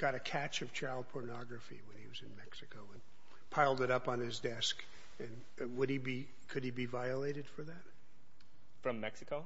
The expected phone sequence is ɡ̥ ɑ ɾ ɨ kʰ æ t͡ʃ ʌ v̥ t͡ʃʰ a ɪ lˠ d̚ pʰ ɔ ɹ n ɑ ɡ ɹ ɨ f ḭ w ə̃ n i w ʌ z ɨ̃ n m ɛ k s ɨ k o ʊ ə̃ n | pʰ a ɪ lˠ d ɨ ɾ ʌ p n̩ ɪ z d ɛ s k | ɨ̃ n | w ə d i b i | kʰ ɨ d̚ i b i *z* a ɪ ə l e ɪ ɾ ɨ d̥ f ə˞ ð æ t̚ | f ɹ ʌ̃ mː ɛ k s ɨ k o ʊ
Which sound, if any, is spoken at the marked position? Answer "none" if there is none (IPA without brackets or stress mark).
v